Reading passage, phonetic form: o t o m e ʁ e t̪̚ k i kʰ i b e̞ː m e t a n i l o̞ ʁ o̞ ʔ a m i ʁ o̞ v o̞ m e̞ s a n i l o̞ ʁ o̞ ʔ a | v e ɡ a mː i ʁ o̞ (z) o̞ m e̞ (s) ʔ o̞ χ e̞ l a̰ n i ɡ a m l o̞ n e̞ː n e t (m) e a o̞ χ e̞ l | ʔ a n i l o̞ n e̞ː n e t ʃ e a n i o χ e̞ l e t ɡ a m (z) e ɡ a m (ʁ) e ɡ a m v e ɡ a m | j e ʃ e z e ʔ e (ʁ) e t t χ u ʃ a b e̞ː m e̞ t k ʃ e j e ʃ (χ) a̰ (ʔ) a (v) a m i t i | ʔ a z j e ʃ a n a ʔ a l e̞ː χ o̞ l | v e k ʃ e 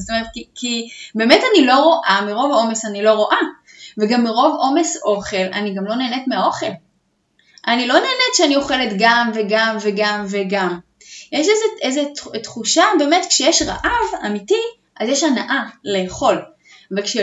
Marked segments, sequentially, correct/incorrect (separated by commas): incorrect, correct, correct, incorrect, incorrect, incorrect, incorrect, correct, correct